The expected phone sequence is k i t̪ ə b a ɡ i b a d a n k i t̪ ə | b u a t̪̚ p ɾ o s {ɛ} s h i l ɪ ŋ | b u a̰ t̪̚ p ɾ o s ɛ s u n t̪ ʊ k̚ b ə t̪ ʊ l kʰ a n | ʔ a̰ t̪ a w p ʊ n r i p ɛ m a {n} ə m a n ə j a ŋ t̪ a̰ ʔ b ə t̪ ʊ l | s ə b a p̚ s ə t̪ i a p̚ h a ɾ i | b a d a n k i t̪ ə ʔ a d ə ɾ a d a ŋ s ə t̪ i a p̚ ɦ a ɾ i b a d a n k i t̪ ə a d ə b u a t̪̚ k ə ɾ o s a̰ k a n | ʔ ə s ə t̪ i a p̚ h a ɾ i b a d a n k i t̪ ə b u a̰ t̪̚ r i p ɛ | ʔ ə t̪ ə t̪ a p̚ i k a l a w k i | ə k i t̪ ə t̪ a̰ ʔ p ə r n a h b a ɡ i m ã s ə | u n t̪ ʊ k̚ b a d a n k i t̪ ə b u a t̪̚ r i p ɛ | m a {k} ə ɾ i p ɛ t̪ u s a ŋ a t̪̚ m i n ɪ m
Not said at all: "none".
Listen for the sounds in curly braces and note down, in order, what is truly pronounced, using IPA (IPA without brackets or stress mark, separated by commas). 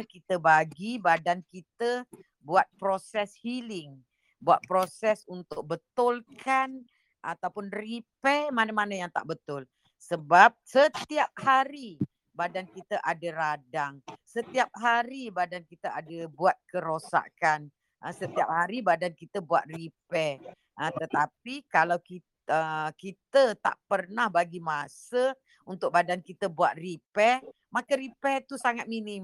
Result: ɛ, n, k